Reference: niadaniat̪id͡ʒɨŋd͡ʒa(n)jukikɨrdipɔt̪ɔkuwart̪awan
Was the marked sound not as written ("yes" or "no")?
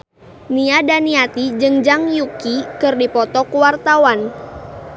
yes